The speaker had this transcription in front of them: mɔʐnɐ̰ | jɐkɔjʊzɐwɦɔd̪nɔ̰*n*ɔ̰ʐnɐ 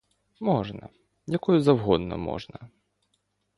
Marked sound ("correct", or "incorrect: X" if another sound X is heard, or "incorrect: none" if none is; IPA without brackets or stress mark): incorrect: m